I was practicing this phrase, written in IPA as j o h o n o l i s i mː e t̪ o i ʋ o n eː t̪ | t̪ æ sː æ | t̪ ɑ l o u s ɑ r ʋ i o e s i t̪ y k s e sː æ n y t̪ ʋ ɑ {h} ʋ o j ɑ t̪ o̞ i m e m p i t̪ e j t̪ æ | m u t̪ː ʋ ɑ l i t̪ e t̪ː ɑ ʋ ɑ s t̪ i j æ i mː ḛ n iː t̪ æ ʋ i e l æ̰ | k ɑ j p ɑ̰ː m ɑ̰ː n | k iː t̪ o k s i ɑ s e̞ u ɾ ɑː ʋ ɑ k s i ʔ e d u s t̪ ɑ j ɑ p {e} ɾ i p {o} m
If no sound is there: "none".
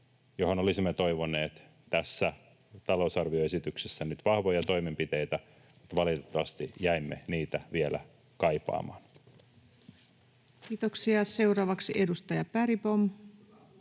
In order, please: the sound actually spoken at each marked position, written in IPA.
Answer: h, æ, o

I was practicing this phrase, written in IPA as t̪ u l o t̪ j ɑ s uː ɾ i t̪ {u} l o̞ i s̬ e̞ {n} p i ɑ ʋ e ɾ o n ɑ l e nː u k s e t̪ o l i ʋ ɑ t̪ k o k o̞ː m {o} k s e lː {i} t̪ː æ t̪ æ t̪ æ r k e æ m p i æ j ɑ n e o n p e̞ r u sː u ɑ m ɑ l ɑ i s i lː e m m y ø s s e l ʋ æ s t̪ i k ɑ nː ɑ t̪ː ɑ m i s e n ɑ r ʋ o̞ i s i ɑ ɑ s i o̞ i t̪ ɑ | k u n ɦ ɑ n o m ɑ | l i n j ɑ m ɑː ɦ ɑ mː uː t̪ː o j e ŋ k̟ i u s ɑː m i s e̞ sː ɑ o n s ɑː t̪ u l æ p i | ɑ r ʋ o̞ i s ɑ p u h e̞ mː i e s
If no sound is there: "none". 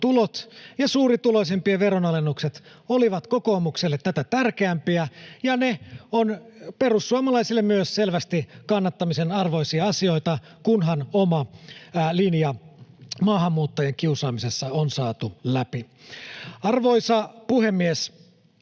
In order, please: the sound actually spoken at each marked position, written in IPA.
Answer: u, m, u, e

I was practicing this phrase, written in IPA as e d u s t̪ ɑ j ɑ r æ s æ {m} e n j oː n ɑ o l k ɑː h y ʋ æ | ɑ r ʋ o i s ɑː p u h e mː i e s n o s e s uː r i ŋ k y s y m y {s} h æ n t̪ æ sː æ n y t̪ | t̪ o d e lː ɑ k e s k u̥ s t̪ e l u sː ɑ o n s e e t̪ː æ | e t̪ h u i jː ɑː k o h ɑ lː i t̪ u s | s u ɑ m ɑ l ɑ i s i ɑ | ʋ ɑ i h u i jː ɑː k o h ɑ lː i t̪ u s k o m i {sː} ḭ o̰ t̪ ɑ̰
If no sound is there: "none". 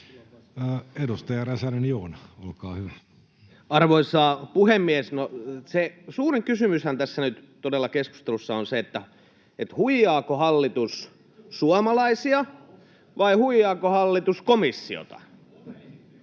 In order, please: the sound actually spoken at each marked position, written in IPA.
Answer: n, s, sː

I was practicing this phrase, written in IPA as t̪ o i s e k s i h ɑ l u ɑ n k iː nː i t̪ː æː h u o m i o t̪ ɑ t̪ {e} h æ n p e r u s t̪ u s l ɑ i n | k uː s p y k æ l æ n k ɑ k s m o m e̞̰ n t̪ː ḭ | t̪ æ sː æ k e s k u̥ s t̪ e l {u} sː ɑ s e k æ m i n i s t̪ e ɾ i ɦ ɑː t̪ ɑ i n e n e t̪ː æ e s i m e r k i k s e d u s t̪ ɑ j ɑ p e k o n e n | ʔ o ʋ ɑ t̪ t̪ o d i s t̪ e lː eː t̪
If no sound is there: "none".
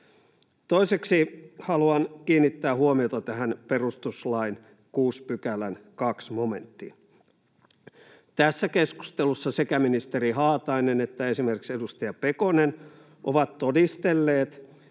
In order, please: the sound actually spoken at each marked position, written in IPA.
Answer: æ, u

